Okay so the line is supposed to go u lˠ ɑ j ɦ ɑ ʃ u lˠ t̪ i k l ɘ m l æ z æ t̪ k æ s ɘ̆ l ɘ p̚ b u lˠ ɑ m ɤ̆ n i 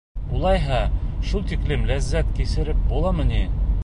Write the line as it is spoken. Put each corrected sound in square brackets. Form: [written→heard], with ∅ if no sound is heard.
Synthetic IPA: u lˠ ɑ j ɦ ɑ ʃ u lˠ t̪ i k l ɘ m l æ [z→zː] æ t̪ k [æ→i] s ɘ̆ [l→ɾ] ɘ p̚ b u lˠ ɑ m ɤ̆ n i